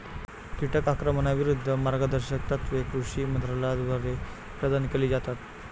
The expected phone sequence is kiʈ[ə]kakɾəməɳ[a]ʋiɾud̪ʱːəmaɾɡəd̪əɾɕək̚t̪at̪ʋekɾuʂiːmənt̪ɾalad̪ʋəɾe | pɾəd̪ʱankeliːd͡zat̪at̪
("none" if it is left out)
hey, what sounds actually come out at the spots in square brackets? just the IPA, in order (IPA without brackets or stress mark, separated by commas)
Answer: ə, a